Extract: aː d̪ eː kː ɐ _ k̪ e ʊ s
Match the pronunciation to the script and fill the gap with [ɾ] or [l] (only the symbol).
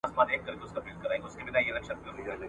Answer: ɾ